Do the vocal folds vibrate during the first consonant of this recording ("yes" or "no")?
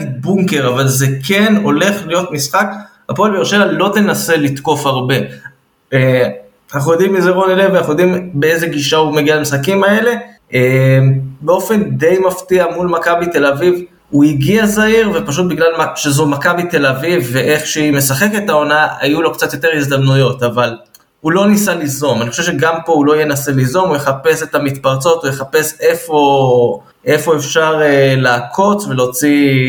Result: yes